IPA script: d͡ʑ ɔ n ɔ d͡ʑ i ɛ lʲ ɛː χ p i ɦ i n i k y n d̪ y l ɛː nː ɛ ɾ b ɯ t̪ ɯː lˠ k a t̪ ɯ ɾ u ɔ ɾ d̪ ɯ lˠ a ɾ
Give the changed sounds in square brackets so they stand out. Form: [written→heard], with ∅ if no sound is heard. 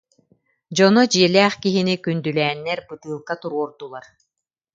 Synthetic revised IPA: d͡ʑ ɔ n ɔ d͡ʑ i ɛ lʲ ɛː χ [p→k] i ɦ i n i k y n d̪ y l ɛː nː ɛ ɾ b ɯ t̪ ɯː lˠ k a t̪ [ɯ→u] ɾ u ɔ ɾ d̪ [ɯ→u] lˠ a ɾ